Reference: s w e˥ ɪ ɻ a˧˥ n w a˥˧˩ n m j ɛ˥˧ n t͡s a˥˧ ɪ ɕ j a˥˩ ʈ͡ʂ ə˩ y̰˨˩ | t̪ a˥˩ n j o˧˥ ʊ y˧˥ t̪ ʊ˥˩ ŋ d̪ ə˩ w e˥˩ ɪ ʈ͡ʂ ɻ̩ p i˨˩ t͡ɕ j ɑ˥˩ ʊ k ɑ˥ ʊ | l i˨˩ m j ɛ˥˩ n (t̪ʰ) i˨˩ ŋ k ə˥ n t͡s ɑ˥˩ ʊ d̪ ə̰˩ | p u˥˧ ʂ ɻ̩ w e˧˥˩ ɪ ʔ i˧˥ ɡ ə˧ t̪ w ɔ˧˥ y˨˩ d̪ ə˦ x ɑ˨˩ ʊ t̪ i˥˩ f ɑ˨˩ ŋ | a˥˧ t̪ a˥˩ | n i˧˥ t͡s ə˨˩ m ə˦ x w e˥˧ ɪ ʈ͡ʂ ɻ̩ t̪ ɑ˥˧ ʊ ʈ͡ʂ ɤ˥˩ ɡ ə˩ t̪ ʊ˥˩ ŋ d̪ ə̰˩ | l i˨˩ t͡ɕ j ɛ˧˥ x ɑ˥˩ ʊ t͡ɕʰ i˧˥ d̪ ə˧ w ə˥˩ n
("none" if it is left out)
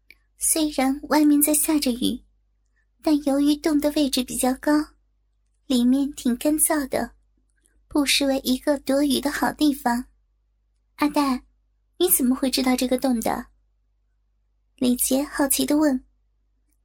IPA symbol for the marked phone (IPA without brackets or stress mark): t̪ʰ